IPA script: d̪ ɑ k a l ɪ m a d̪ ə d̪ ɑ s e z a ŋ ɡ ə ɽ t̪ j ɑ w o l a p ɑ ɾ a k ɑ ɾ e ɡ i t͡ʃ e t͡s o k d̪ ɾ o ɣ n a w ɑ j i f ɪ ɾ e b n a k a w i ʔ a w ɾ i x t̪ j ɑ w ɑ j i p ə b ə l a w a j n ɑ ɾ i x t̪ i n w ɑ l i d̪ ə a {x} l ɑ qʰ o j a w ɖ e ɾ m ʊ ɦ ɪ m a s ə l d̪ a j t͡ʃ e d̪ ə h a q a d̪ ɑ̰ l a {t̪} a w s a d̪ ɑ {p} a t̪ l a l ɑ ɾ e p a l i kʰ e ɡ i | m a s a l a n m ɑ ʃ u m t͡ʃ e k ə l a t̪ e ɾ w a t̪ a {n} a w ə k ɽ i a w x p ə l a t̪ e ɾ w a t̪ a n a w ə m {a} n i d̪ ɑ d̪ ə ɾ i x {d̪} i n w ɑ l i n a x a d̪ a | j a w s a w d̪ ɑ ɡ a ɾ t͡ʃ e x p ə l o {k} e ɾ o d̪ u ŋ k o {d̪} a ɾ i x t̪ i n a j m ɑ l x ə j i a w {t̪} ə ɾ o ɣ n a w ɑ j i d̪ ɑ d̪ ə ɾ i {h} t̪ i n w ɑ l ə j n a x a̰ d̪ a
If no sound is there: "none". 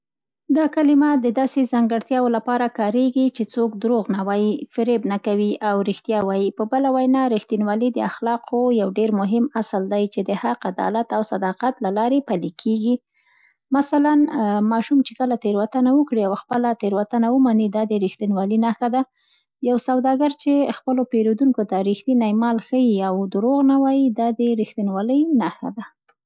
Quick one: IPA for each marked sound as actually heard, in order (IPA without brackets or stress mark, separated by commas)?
x, t̪, q, n, a, t̪, p, t̪, d̪, x